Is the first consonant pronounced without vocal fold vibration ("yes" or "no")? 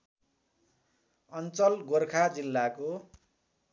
no